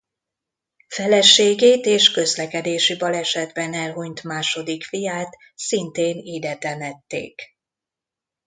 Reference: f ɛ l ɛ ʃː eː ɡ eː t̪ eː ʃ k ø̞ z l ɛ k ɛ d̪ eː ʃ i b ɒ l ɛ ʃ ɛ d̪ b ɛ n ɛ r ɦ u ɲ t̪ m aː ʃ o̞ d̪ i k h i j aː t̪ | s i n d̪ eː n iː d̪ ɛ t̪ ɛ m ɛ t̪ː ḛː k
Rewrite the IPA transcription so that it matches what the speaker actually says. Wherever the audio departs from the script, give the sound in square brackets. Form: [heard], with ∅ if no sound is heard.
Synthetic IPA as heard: f ɛ l ɛ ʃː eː ɡ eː t̪ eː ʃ k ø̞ z l ɛ k ɛ d̪ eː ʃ i b ɒ l ɛ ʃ ɛ d̪ b ɛ n ɛ [l] ɦ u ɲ t̪ m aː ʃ o̞ d̪ i k [f] i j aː t̪ | s i n [t̪] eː n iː d̪ ɛ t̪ ɛ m ɛ t̪ː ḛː k

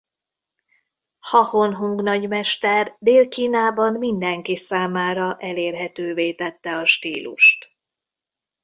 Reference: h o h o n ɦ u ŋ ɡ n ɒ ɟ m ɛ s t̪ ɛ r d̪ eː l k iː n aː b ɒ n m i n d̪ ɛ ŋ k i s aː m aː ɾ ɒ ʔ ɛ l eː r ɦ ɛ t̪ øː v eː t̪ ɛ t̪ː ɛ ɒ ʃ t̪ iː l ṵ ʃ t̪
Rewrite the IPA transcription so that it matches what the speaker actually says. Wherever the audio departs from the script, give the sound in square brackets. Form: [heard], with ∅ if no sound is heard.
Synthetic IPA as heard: h [ɒ] h o n ɦ u ŋ ɡ n ɒ ɟ m ɛ [ʃ] t̪ ɛ r d̪ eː l k iː n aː b ɒ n m i n d̪ ɛ ŋ k i s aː m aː ɾ ɒ ʔ ɛ l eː r ɦ ɛ t̪ øː v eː t̪ ɛ t̪ː ɛ ɒ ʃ t̪ iː l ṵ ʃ t̪

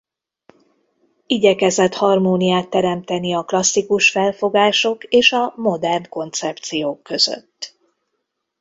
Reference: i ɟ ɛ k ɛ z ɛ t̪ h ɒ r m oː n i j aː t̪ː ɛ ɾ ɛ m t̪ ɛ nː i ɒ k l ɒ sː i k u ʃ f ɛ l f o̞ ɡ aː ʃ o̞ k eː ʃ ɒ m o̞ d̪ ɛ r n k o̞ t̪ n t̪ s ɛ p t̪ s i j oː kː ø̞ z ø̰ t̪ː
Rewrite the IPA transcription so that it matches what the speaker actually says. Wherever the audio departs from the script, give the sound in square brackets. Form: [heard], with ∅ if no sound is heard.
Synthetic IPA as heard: i ɟ ɛ k ɛ z ɛ t̪ h ɒ r m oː n i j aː t̪ː ɛ ɾ ɛ m t̪ ɛ [n] i ɒ k l ɒ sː i k u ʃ f ɛ l f o̞ ɡ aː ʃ o̞ k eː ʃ ɒ m o̞ d̪ ɛ r n k o̞ [∅] n t̪ s ɛ p t̪ s i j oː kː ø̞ z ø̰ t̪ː

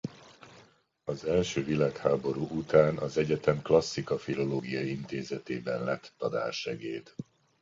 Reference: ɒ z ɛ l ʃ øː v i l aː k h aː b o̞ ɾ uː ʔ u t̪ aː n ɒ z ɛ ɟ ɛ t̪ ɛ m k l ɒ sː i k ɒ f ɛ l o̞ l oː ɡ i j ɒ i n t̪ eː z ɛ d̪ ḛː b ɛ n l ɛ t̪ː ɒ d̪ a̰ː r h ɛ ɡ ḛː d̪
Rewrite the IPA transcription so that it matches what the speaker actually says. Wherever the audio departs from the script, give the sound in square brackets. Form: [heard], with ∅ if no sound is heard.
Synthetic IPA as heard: ɒ z ɛ l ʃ øː v i l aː k h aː b o̞ ɾ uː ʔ u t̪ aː n ɒ z ɛ ɟ ɛ t̪ ɛ m k l ɒ sː i k ɒ f [i] l o̞ l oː ɡ i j ɒ i n t̪ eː z ɛ [t̪] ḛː b ɛ n l ɛ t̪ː ɒ d̪ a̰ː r [ʃ] ɛ ɡ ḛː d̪

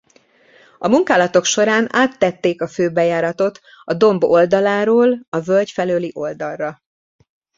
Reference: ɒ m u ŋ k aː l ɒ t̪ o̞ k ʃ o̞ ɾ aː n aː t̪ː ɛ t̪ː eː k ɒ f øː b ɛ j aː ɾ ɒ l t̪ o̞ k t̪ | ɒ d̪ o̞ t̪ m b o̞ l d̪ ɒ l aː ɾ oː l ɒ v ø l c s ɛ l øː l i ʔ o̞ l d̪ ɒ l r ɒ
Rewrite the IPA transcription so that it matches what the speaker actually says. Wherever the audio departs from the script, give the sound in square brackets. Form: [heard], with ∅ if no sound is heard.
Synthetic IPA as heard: ɒ m u ŋ k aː l ɒ t̪ o̞ k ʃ o̞ ɾ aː n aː t̪ː ɛ t̪ː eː k ɒ f øː b ɛ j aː ɾ ɒ [∅] t̪ o̞ [∅] t̪ | ɒ d̪ o̞ [∅] m b o̞ l d̪ ɒ l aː ɾ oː l ɒ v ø l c [f] ɛ l øː l i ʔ o̞ l d̪ ɒ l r ɒ

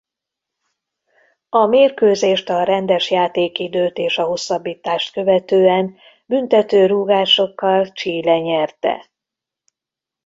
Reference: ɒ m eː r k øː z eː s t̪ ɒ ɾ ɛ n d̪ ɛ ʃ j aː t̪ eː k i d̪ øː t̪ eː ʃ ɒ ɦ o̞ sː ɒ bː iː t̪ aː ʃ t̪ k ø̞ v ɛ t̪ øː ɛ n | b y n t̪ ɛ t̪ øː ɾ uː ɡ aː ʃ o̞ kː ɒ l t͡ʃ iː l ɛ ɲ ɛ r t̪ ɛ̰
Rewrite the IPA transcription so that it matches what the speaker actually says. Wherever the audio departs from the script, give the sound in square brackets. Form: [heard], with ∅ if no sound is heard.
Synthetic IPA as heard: ɒ m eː r k øː z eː [ʃ] t̪ ɒ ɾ ɛ n d̪ ɛ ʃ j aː t̪ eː k i d̪ øː t̪ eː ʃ ɒ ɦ o̞ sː ɒ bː iː t̪ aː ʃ t̪ k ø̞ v ɛ t̪ øː ɛ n | b y n t̪ ɛ t̪ øː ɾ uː ɡ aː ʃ o̞ kː ɒ l t͡ʃ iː l ɛ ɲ ɛ r t̪ ɛ̰

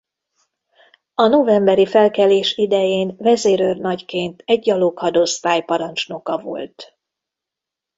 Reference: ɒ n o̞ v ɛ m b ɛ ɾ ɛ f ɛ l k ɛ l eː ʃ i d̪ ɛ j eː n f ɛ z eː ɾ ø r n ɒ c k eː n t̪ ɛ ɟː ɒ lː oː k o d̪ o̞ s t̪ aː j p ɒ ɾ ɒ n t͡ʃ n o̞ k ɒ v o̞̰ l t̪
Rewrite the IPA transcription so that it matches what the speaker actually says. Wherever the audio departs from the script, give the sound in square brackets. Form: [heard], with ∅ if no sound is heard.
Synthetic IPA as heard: ɒ n o̞ v ɛ m b ɛ ɾ [i] f ɛ l k ɛ l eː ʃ i d̪ ɛ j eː n [v] ɛ z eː ɾ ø r n ɒ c k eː n t̪ ɛ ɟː ɒ [l] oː k [ɒ] d̪ o̞ s t̪ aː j p ɒ ɾ ɒ n t͡ʃ n o̞ k ɒ v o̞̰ l t̪

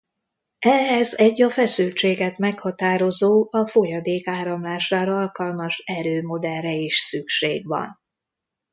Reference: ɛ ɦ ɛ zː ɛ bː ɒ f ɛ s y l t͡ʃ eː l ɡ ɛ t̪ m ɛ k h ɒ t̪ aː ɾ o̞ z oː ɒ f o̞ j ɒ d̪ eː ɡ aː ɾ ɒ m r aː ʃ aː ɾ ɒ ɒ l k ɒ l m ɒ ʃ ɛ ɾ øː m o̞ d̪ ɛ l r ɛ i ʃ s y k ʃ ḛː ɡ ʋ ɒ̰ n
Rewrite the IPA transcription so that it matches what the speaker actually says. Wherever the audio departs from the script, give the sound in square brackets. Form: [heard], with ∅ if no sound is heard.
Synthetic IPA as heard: ɛ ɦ ɛ [z] ɛ [ɟː] ɒ f ɛ s y l t͡ʃ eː [∅] ɡ ɛ t̪ m ɛ k h ɒ t̪ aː ɾ o̞ z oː ɒ f o̞ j ɒ d̪ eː [k] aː ɾ ɒ m [l] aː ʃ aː ɾ ɒ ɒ l k ɒ l m ɒ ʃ ɛ ɾ øː m o̞ d̪ ɛ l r ɛ i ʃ s y k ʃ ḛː ɡ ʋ ɒ̰ n

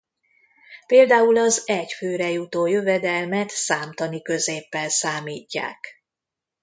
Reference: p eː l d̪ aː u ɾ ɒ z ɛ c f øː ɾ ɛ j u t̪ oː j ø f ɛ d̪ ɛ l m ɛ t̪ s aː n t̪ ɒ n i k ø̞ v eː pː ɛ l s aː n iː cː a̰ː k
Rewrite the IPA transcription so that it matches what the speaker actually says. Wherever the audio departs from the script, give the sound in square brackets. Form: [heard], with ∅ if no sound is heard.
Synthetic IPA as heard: p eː l d̪ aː u [l] ɒ z ɛ c f øː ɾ ɛ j u t̪ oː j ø [v] ɛ d̪ ɛ l m ɛ t̪ s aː [m] t̪ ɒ n i k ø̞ [z] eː pː ɛ l s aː [m] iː cː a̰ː k

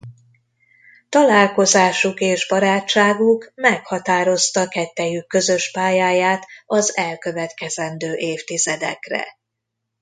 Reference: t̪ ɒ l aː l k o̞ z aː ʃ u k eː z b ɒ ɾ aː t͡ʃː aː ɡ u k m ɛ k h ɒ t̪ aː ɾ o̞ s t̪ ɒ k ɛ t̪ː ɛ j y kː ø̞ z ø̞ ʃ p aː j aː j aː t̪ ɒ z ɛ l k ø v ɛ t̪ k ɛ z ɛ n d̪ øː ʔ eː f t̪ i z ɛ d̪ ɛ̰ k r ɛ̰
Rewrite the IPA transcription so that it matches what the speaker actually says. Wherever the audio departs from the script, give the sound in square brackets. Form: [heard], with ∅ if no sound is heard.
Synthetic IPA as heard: t̪ ɒ l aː l k o̞ z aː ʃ u k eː [ʒ] b ɒ ɾ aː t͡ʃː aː ɡ u k m ɛ k h ɒ t̪ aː ɾ o̞ s t̪ ɒ k ɛ t̪ː ɛ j y kː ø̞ z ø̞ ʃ p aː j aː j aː t̪ ɒ z ɛ l k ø v ɛ t̪ k ɛ z ɛ n d̪ øː ʔ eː f t̪ i z ɛ d̪ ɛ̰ k r ɛ̰

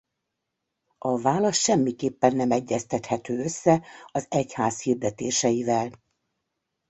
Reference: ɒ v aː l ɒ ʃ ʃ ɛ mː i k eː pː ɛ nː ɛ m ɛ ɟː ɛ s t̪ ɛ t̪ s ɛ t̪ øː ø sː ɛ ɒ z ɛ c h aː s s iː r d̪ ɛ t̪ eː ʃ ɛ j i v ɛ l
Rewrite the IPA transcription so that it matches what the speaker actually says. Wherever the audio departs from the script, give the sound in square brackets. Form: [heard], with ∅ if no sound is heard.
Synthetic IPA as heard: ɒ v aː l ɒ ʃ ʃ ɛ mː i k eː pː ɛ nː ɛ m ɛ ɟː ɛ s t̪ ɛ t̪ [h] ɛ t̪ øː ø sː ɛ ɒ z ɛ c h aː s [h] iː r d̪ ɛ t̪ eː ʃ ɛ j i v ɛ l

